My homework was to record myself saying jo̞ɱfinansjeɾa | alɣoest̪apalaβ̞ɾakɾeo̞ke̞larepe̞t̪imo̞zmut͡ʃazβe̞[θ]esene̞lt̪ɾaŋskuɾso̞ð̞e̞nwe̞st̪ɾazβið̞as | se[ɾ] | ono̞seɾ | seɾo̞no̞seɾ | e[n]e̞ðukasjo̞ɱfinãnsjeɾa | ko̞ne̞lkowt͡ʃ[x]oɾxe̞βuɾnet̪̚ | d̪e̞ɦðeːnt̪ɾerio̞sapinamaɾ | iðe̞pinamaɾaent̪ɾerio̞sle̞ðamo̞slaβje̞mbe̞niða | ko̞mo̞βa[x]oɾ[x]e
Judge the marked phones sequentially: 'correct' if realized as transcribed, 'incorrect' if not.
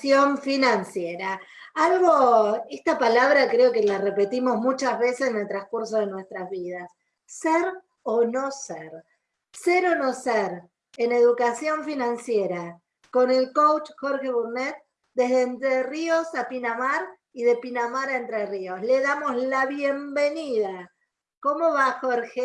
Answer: incorrect: s, correct, correct, correct, correct, correct

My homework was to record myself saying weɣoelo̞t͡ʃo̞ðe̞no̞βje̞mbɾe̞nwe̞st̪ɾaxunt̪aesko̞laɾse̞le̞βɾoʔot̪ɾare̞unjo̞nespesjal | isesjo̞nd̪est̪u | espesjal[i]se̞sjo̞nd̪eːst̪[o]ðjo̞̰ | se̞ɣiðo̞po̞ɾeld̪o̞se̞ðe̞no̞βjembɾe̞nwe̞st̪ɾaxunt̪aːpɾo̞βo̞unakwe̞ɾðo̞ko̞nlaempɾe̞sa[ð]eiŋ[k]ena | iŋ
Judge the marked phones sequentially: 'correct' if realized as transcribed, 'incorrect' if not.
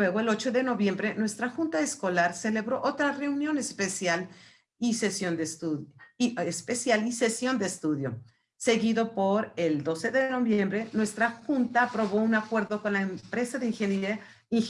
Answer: correct, incorrect: u, correct, incorrect: x

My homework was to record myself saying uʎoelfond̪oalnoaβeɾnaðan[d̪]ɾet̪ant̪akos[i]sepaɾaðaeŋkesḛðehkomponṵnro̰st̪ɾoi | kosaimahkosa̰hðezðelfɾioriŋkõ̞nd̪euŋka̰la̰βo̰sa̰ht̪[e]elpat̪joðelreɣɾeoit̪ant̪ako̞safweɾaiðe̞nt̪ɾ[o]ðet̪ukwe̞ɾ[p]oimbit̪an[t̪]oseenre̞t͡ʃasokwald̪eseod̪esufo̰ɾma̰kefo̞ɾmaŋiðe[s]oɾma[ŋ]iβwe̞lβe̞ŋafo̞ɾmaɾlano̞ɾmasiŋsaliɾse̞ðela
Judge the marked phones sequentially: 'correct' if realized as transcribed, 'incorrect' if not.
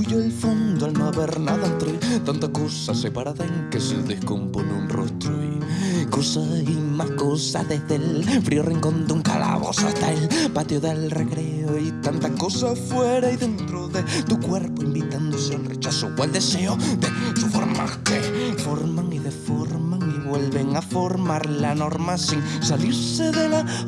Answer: incorrect: t̪, incorrect: a, incorrect: a, correct, correct, incorrect: d̪, incorrect: f, correct

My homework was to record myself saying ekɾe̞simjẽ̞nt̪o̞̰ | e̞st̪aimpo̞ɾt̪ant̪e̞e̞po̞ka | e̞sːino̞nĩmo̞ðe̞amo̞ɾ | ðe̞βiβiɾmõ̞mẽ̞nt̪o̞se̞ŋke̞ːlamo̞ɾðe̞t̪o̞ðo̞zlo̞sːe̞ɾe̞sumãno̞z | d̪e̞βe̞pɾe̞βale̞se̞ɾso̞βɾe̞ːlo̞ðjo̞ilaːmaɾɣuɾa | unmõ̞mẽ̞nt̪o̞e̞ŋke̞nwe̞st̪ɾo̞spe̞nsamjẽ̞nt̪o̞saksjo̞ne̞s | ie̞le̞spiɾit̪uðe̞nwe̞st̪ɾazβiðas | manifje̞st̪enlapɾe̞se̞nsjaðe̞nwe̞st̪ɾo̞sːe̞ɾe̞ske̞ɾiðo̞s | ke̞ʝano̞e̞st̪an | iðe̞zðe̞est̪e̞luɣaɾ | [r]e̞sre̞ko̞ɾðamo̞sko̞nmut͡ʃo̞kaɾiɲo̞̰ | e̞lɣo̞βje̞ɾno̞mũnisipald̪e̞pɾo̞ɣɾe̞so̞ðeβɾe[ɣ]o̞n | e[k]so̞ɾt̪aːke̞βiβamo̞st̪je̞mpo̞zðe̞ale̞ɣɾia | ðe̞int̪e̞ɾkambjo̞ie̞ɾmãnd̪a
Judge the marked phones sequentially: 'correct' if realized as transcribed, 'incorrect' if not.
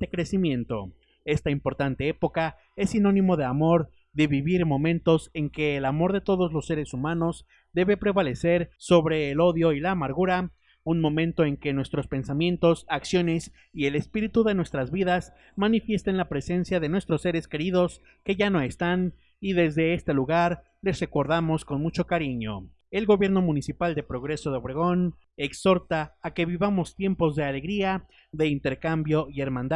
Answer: incorrect: l, correct, correct

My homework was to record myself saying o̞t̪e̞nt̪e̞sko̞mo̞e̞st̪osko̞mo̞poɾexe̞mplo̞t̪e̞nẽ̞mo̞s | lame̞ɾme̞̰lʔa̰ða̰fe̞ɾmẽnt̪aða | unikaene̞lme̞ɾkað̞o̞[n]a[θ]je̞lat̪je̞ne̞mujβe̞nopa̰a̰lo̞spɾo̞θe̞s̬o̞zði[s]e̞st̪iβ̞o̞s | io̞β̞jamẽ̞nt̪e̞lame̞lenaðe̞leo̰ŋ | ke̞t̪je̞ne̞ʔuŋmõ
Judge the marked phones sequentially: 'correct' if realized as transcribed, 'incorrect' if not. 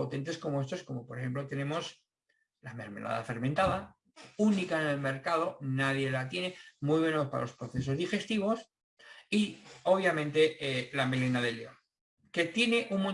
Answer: correct, incorrect: ð, incorrect: x

